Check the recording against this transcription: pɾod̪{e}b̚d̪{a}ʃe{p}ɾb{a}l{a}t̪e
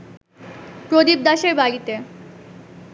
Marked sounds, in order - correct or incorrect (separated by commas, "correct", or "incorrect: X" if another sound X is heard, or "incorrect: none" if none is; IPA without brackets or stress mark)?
incorrect: i, correct, incorrect: none, correct, incorrect: i